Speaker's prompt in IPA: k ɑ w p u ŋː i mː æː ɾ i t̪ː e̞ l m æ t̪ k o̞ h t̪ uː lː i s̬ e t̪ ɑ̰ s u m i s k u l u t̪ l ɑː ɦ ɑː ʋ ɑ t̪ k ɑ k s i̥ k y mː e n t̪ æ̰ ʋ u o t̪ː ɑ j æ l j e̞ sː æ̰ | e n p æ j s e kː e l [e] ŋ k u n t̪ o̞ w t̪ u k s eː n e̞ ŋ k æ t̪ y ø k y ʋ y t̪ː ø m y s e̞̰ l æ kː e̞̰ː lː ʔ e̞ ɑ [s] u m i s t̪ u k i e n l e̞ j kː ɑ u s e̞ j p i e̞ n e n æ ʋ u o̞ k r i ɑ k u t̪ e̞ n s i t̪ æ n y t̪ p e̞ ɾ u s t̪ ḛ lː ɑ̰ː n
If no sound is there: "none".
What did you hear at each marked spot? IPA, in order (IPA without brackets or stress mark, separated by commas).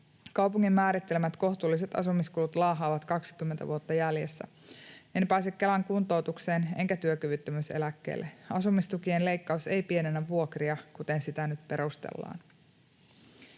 æ, s